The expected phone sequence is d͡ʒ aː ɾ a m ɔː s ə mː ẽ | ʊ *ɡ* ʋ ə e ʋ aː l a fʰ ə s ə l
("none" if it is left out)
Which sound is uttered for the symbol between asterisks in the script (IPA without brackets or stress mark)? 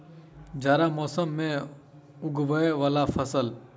ɡ